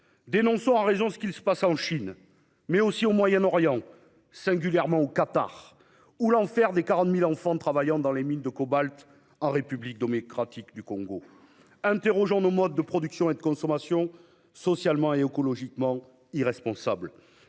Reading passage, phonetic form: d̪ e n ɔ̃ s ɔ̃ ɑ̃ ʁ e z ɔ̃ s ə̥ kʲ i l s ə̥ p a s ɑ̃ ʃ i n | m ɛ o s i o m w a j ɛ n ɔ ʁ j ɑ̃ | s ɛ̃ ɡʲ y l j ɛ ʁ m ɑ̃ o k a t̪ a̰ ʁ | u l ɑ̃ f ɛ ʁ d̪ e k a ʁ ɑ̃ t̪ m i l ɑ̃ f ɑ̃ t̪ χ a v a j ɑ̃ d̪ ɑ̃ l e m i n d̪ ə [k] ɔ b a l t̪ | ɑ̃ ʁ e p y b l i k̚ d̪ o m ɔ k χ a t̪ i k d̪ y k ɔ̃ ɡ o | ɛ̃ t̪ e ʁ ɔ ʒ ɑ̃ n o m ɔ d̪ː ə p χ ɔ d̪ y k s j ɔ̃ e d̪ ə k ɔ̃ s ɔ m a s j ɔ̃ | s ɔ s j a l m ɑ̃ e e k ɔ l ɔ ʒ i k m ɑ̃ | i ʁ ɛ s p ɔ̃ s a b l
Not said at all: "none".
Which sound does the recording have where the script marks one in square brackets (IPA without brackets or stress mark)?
k